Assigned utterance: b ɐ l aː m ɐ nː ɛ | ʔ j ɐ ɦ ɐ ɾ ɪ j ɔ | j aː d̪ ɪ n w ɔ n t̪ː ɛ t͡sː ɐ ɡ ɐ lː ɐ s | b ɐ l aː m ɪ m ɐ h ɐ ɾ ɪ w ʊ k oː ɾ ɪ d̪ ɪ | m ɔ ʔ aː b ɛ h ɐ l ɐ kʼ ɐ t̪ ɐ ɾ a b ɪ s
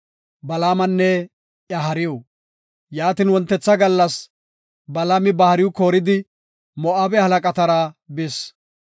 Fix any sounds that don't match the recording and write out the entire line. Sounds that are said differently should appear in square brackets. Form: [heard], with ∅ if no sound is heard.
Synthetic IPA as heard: b ɐ l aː m ɐ nː ɛ | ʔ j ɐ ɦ ɐ ɾ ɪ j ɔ | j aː [t̪] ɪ n w ɔ n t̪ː ɛ t͡sː ɐ ɡ ɐ lː ɐ s | b ɐ l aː m ɪ [b] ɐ h ɐ ɾ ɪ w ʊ k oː ɾ ɪ d̪ ɪ | m ɔ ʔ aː b ɛ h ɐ l ɐ kʼ ɐ t̪ ɐ ɾ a b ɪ s